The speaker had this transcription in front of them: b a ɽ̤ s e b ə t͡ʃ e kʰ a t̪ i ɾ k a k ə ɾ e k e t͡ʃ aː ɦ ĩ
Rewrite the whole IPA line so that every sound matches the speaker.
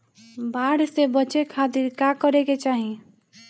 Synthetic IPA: b a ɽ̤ s e b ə t͡ʃ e kʰ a t̪ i ɾ k a k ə ɾ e k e t͡ʃ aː ɦ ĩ